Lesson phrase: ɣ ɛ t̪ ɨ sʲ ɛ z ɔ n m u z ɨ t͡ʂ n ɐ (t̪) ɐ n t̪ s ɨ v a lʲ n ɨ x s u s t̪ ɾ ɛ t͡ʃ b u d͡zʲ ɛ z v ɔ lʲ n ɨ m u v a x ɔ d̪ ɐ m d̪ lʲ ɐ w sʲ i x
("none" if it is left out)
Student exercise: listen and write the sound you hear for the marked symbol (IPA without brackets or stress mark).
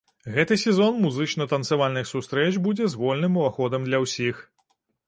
t̪